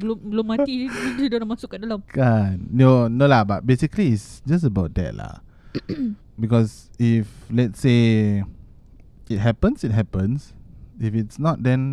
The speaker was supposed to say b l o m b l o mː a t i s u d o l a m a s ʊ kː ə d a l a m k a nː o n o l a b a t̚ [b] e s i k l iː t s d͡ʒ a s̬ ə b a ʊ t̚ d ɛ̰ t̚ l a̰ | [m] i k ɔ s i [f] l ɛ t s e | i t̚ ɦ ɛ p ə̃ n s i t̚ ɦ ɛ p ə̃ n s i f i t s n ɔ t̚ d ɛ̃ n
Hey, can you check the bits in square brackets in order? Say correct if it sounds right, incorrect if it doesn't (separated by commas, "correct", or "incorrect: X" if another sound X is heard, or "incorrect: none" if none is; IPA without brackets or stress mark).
correct, incorrect: b, correct